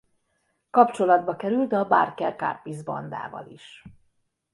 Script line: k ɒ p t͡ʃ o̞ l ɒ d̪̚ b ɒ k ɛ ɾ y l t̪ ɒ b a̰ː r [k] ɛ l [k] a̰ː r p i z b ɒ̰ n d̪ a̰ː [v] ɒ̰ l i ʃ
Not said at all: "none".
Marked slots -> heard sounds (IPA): k, k, v

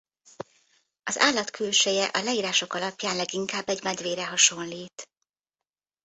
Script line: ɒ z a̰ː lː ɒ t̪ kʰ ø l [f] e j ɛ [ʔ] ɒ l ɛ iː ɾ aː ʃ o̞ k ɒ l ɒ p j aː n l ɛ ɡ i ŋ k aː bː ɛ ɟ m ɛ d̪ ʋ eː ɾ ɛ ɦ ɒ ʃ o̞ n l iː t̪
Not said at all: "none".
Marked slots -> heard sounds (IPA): ʃ, ʔ

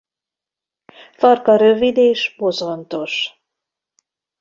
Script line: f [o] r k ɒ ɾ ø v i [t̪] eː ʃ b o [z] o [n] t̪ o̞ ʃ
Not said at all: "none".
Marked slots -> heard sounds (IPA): ɒ, d̪, z, n

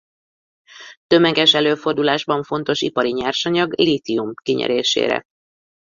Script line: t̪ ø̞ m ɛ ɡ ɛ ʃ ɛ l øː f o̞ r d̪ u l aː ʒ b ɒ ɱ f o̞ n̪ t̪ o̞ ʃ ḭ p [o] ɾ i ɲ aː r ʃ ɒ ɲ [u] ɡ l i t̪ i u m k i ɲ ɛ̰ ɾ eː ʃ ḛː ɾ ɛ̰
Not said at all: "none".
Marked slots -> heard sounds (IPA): ɒ, ɒ

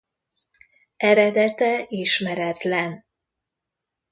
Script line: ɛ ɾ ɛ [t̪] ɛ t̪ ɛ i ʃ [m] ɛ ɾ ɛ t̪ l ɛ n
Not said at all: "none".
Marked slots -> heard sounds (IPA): d̪, m

